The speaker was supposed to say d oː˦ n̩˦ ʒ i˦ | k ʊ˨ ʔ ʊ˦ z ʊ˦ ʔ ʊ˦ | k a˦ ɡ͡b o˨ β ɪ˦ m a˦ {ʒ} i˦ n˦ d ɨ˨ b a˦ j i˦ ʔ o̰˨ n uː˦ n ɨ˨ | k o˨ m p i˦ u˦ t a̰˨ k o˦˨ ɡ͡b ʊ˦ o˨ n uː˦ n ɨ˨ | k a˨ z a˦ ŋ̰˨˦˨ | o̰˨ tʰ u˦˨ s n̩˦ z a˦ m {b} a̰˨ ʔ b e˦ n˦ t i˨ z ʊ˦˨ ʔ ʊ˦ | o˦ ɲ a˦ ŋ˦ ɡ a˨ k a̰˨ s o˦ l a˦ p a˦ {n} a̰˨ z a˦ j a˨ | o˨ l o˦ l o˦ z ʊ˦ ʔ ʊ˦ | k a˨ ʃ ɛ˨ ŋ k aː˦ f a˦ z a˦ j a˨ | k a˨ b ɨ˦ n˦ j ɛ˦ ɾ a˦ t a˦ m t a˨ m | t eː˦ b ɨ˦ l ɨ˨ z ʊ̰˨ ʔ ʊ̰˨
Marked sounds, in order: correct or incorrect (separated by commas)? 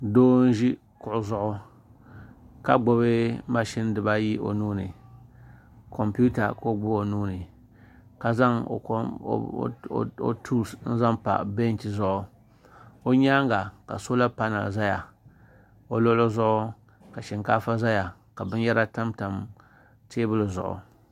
incorrect, incorrect, correct